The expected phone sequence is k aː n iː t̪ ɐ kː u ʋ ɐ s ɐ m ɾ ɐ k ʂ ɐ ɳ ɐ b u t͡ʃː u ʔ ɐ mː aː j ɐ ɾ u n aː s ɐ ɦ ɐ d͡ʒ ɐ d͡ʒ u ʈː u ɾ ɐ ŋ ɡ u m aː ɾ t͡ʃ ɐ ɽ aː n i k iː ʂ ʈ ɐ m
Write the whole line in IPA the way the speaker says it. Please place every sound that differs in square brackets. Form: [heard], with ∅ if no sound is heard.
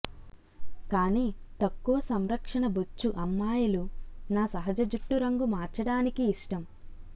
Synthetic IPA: k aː n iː t̪ ɐ kː u ʋ ɐ s ɐ m ɾ ɐ k ʂ ɐ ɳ ɐ b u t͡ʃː u ʔ ɐ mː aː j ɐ [l] u n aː s ɐ ɦ ɐ d͡ʒ ɐ d͡ʒ u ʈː u ɾ ɐ ŋ ɡ u m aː ɾ t͡ʃ ɐ ɽ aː n i k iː ʂ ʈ ɐ m